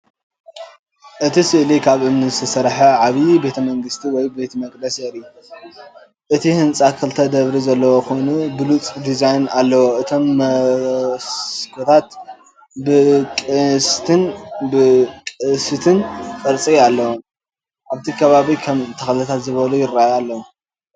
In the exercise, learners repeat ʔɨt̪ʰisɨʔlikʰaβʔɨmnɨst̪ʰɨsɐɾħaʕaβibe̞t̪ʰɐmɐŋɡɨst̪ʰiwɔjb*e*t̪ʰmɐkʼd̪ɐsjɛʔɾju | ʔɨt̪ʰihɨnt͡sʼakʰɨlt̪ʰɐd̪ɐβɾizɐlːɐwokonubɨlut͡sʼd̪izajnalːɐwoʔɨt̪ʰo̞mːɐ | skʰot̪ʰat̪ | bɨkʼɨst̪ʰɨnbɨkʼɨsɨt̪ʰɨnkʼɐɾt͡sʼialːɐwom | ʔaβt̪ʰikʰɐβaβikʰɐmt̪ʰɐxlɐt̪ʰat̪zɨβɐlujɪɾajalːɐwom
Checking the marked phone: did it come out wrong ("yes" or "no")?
no